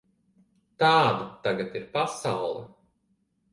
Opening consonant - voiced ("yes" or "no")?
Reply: no